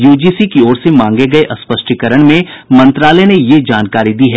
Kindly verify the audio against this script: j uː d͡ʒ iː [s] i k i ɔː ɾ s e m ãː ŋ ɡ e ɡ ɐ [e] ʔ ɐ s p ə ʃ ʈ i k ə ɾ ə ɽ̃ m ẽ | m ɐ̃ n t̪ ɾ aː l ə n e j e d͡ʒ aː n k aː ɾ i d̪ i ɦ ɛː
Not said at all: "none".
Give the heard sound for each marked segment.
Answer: s, e

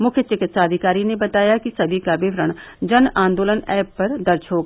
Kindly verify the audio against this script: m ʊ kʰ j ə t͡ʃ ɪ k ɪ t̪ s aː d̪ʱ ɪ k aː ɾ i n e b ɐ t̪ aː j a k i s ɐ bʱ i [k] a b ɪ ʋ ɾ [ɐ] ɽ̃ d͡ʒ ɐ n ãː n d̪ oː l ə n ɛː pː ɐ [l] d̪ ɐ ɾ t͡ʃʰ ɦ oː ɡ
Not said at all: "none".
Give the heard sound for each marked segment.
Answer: k, ə, ɾ

